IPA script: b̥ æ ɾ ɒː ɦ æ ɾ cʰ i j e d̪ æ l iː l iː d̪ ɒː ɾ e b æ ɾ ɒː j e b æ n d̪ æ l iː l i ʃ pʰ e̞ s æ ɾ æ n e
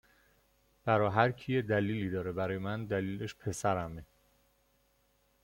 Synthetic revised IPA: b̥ æ ɾ ɒː ɦ æ ɾ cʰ i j e d̪ æ l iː l iː d̪ ɒː ɾ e b æ ɾ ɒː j e m æ n d̪ æ l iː l e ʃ pʰ e̞ s æ ɾ æ m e